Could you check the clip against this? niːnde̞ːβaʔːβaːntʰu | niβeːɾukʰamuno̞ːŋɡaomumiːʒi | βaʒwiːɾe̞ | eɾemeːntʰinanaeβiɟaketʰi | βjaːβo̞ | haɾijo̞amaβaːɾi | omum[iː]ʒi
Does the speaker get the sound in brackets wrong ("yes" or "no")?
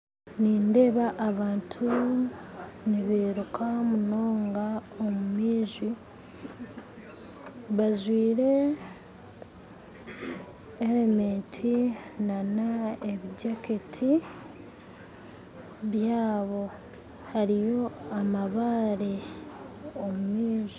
no